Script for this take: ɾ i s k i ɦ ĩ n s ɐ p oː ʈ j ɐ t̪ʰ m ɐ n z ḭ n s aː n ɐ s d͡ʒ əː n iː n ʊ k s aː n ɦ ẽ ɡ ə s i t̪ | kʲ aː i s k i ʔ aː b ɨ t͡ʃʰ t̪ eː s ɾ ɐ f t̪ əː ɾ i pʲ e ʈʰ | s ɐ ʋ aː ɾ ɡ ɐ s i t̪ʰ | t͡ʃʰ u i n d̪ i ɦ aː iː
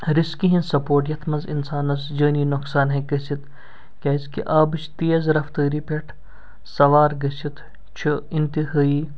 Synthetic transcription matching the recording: ɾ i s k i ɦ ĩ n s ɐ p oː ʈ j ɐ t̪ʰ m ɐ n z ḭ n s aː n ɐ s d͡ʒ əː n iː n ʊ k s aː n ɦ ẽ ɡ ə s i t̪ | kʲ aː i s k i ʔ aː b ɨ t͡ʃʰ t̪ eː z ɾ ɐ f t̪ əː ɾ i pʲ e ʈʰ | s ɐ ʋ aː ɾ ɡ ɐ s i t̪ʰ | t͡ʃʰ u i n t̪ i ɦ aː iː